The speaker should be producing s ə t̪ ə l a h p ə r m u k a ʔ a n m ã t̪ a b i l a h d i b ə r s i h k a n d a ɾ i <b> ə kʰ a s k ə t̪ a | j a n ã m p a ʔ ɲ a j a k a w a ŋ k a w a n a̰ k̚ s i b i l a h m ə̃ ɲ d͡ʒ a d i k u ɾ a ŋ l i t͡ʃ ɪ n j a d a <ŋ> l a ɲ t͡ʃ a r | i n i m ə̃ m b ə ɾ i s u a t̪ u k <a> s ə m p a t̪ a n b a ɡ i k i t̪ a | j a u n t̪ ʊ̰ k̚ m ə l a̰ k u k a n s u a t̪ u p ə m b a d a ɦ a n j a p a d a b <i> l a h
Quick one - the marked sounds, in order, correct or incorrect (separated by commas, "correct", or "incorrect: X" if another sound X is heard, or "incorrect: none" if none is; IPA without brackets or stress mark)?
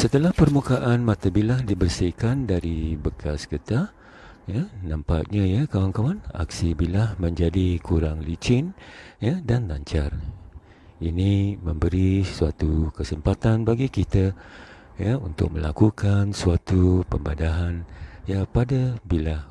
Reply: correct, incorrect: n, incorrect: ə, correct